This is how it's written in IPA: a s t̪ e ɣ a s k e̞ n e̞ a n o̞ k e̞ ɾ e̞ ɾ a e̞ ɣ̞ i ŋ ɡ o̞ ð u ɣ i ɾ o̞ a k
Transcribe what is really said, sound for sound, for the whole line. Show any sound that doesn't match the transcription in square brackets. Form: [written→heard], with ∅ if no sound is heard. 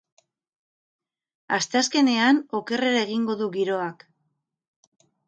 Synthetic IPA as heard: a s t̪ e [ɣ→∅] a s k e̞ n e̞ a n o̞ k e̞ [ɾ→r] e̞ ɾ a e̞ ɣ̞ i ŋ ɡ o̞ ð u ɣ i ɾ o̞ a k